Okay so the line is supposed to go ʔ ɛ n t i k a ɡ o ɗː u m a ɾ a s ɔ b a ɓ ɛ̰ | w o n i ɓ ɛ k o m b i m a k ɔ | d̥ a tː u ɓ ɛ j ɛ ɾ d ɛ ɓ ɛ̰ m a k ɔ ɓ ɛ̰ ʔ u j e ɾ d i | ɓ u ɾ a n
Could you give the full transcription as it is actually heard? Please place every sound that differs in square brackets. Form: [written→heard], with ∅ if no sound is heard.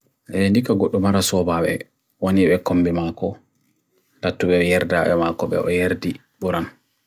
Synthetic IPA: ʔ ɛ n [t→d] i k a ɡ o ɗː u m a ɾ a s ɔ b a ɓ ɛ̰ | w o n i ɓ ɛ k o m b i m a k ɔ | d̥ a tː u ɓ ɛ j ɛ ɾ d [ɛ→a] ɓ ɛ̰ m a k ɔ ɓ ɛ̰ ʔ [u→ɔ] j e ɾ d i | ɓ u ɾ a n